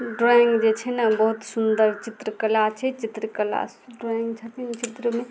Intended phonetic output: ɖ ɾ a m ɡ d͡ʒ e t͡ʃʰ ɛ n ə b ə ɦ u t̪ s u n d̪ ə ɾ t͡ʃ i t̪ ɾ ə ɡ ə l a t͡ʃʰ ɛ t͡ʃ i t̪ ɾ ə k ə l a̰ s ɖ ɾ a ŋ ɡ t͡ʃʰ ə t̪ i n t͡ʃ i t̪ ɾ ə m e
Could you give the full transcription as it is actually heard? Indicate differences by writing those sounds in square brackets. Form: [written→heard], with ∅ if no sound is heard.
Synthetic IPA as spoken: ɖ ɾ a [m→ŋ] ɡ d͡ʒ e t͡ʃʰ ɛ n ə b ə ɦ u t̪ s u n d̪ ə ɾ t͡ʃ i t̪ ɾ ə [ɡ→k] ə l a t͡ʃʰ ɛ t͡ʃ i t̪ ɾ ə k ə l a̰ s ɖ ɾ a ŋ ɡ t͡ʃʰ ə t̪ i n t͡ʃ i t̪ ɾ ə m e